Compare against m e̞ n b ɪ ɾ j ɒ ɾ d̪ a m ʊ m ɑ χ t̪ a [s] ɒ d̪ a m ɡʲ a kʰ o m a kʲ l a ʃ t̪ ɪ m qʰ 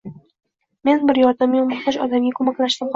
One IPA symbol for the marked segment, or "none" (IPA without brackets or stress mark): ʃ